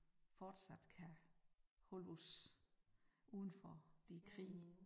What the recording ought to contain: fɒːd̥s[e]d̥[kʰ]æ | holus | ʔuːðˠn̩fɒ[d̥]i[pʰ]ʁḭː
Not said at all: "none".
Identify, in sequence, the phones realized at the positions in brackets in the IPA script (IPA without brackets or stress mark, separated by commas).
æ, kʰ, d̥, kʰ